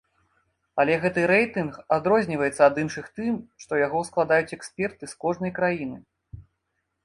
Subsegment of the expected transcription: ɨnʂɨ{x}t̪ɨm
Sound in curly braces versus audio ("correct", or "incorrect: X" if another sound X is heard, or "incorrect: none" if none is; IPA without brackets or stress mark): correct